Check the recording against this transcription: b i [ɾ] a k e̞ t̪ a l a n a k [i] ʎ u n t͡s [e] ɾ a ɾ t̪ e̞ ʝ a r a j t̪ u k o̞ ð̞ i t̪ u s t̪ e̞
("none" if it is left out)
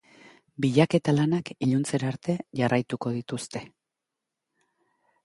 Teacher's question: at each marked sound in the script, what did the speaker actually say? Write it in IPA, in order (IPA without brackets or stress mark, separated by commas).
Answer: ʎ, i, e